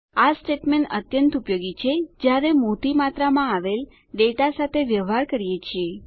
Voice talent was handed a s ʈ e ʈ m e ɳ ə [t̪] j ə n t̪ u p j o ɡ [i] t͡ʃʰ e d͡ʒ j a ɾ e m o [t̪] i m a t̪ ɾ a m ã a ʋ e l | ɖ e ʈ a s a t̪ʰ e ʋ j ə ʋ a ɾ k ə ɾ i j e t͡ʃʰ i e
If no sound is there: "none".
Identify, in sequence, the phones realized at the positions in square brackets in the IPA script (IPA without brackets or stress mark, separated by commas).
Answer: t̪, i, t̪